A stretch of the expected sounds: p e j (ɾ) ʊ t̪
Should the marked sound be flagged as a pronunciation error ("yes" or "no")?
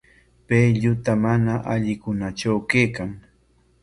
yes